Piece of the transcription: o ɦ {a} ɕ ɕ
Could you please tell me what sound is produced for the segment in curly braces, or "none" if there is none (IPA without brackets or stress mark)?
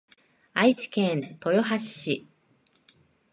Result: a